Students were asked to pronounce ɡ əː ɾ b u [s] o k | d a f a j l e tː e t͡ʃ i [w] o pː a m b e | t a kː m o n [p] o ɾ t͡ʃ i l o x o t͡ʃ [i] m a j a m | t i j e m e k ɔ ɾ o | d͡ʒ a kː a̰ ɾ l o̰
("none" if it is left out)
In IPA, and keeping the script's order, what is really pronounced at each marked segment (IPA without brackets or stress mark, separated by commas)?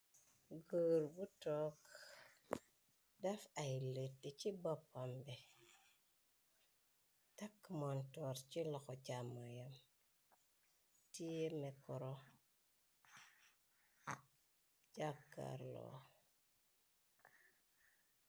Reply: t, b, t, a